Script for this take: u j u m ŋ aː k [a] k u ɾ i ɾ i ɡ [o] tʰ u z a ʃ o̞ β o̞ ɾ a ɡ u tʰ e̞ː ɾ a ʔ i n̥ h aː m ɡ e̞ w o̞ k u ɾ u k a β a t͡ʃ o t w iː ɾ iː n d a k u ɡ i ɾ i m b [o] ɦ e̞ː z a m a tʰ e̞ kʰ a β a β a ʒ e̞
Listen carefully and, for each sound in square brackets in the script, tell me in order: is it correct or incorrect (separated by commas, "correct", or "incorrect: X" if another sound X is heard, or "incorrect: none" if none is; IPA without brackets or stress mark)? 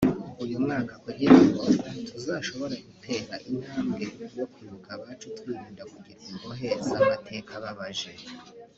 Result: correct, correct, correct